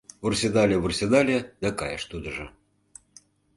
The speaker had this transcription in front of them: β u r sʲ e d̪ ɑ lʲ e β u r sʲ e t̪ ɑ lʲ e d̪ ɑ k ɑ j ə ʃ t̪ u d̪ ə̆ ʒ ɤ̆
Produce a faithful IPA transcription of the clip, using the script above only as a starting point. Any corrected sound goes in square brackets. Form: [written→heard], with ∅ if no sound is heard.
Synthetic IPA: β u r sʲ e d̪ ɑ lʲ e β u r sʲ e [t̪→d̪] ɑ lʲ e d̪ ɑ k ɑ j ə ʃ t̪ u d̪ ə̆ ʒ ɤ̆